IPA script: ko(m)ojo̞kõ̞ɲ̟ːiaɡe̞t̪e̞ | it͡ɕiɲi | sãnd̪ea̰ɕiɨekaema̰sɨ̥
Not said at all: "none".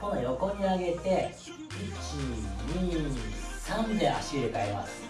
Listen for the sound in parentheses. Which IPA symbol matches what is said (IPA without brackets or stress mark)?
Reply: n